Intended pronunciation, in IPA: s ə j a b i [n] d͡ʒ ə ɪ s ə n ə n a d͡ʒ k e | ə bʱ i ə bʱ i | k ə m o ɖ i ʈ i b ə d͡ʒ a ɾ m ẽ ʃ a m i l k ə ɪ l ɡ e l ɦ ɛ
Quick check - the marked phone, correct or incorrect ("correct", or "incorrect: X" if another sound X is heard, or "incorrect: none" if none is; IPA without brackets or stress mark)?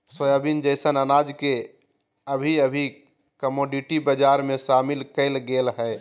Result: correct